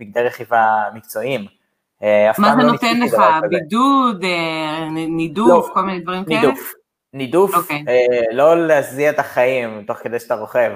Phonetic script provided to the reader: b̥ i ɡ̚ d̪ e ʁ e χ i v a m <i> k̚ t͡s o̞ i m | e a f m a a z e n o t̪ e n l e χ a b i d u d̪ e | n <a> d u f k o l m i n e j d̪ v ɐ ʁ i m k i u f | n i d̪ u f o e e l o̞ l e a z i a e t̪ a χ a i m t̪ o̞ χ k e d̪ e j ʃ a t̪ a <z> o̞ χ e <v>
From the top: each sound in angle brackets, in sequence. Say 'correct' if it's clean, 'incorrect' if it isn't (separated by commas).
correct, incorrect, incorrect, correct